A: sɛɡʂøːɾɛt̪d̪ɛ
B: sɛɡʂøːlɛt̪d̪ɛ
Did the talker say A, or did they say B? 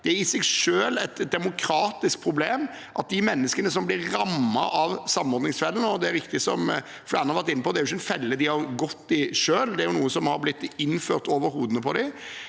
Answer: B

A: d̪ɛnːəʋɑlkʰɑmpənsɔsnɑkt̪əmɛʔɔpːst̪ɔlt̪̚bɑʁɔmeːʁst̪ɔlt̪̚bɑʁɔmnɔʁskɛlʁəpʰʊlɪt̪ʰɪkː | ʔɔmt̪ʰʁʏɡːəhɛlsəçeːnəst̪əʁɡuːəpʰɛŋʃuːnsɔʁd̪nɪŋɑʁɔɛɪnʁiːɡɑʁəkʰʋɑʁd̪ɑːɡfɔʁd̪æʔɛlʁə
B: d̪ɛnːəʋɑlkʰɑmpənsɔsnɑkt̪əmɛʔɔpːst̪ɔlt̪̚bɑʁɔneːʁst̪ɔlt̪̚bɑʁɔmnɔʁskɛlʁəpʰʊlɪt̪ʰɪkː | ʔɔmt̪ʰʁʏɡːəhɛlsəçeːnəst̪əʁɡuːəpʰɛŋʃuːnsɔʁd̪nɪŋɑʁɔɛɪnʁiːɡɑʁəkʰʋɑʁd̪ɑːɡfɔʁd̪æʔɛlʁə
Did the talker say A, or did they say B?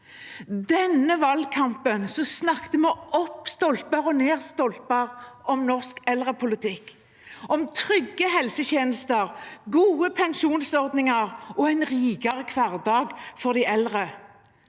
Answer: B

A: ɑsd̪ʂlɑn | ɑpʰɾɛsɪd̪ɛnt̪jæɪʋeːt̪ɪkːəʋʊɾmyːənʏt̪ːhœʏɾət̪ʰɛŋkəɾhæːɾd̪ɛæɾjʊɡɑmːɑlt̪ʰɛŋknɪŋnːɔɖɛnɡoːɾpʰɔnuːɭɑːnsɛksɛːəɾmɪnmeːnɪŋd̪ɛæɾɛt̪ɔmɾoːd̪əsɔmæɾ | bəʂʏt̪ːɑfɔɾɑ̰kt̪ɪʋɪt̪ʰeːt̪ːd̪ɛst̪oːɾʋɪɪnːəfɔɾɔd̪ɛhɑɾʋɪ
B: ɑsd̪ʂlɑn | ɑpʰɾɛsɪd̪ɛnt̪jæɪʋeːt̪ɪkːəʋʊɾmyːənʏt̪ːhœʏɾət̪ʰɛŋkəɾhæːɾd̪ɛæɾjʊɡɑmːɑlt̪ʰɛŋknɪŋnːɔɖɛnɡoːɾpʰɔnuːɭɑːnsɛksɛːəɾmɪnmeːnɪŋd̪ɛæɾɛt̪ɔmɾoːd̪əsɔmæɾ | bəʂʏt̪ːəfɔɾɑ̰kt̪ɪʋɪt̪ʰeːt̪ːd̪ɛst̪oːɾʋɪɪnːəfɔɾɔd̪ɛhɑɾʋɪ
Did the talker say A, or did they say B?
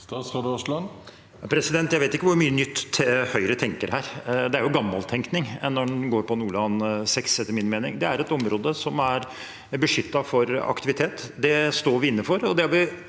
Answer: A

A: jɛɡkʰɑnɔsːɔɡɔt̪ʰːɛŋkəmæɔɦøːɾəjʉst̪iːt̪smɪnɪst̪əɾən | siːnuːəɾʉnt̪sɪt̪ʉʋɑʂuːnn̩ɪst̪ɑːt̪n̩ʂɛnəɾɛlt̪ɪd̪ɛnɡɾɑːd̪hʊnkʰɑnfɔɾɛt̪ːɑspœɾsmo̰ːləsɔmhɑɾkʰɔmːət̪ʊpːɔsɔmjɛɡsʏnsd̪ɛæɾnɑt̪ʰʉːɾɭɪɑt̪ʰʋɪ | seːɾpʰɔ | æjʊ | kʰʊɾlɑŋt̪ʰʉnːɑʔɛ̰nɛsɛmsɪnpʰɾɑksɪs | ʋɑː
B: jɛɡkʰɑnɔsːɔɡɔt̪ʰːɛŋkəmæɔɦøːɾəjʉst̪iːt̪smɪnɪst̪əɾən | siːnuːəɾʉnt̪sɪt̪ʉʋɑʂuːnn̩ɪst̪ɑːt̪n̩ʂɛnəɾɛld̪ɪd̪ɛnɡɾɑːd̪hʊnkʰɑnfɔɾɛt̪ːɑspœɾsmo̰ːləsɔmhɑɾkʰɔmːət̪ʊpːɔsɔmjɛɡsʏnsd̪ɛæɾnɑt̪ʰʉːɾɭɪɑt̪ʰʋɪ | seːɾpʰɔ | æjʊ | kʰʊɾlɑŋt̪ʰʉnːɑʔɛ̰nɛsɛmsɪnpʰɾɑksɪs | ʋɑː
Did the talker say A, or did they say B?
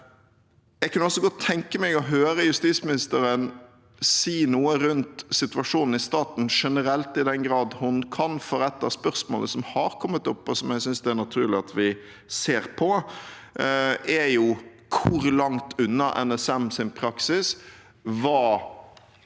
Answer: A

